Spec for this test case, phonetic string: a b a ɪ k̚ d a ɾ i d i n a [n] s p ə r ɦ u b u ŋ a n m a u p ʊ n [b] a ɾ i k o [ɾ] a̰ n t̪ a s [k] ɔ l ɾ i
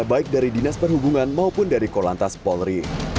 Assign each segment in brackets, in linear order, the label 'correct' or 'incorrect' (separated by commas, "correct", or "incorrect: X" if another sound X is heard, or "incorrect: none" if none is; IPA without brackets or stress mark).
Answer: incorrect: none, incorrect: d, incorrect: l, incorrect: p